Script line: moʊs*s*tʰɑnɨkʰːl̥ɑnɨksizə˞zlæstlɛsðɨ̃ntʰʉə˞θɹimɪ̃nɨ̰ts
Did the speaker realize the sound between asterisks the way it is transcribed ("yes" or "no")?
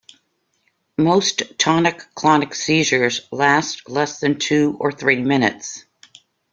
no